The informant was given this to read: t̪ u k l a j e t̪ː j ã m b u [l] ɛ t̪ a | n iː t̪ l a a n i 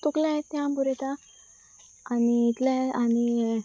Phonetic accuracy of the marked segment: incorrect: ɾ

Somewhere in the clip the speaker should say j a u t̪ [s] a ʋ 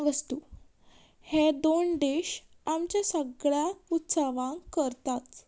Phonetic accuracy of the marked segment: correct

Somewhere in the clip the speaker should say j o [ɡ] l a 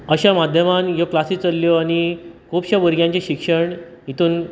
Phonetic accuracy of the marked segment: incorrect: k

